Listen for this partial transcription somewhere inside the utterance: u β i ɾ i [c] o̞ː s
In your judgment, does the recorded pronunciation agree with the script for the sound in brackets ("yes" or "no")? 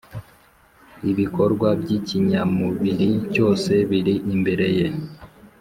yes